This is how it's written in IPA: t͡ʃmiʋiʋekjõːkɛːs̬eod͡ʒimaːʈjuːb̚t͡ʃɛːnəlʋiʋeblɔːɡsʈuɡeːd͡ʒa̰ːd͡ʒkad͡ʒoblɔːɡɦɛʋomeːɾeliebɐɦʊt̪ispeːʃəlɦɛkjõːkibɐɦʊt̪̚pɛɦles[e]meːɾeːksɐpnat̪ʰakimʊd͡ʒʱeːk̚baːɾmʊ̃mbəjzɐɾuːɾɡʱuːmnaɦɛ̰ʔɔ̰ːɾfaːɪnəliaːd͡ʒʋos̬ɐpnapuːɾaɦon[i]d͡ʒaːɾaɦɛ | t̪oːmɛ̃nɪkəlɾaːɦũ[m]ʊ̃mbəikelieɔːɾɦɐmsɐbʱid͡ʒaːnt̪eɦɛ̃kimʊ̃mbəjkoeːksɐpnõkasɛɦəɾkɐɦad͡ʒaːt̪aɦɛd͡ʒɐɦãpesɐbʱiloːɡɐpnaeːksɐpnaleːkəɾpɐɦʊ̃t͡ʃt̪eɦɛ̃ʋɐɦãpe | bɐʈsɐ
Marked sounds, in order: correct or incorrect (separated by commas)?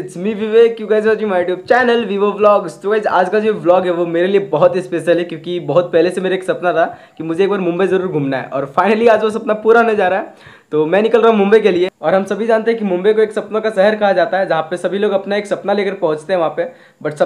correct, incorrect, correct